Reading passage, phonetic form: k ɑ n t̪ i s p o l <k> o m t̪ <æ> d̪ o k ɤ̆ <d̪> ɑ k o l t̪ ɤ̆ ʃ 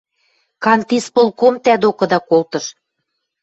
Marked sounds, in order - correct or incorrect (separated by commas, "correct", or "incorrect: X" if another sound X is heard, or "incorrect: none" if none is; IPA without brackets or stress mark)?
correct, correct, correct